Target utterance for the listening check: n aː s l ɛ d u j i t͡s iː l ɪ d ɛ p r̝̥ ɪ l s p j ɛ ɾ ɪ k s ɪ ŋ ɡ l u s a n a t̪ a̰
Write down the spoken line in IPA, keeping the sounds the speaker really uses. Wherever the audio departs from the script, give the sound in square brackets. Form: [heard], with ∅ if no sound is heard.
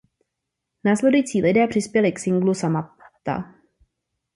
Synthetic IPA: n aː s l ɛ d u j i t͡s iː l ɪ d [ɛː] p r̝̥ ɪ [∅] s p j ɛ [l] ɪ k s ɪ ŋ ɡ l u s a [m] a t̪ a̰